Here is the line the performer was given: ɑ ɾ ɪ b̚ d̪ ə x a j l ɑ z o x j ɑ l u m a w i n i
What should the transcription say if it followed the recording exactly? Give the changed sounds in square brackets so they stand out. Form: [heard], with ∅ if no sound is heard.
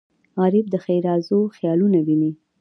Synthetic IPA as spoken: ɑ ɾ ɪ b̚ d̪ ə x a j [ɾ] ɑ z o x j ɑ l u [n] a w i n i